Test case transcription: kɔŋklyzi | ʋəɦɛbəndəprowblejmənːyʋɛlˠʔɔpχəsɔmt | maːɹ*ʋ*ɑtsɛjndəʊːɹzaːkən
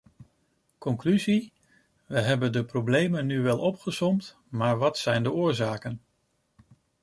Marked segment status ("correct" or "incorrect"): correct